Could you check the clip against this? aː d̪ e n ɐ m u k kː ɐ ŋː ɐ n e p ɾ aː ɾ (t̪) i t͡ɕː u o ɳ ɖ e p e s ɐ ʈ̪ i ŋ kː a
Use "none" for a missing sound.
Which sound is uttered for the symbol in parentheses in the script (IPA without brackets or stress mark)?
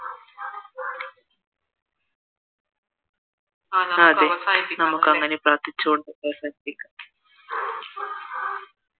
t̪